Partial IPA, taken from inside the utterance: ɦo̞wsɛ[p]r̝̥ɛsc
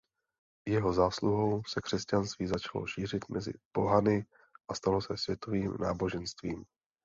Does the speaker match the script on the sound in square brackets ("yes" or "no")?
no